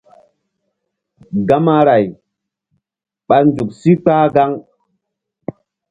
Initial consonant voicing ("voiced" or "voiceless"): voiced